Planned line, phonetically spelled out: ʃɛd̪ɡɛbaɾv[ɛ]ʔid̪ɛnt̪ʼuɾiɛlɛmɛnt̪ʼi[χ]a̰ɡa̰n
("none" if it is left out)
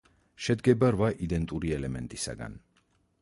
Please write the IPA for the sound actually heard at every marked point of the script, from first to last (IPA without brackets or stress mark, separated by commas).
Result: a, s